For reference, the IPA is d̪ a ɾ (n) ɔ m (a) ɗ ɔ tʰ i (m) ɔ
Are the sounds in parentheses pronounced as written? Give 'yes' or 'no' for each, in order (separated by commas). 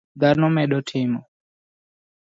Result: yes, no, yes